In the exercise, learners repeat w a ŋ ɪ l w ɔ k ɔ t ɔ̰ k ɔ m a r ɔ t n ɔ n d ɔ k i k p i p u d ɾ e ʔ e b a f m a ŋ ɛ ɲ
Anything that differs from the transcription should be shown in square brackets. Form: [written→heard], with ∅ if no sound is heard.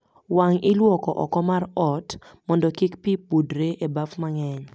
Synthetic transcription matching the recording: w a ŋ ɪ l w ɔ k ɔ [t→ʔ] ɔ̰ k ɔ m a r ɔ t [n→m] ɔ n d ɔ k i k p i p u d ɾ e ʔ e b a f m a ŋ ɛ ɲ

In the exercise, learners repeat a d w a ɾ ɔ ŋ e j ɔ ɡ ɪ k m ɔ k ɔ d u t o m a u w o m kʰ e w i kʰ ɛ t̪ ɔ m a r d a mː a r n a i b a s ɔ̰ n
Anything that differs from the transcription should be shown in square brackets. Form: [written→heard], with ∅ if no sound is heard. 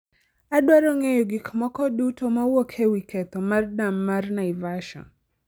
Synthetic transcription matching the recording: a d w a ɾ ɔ ŋ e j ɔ ɡ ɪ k m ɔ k ɔ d u t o m a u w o [m→∅] kʰ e w i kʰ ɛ t̪ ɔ m a r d a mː a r n a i [b→v] a [s→ʃ] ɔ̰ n

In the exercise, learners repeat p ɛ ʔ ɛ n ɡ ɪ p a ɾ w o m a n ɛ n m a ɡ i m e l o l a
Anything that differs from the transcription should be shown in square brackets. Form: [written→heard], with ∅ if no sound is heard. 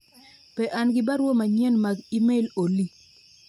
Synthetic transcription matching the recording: p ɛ ʔ [ɛ→a] n ɡ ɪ [p→b] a ɾ w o m a [n→ɲ] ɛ n m a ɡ i m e l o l [a→i]

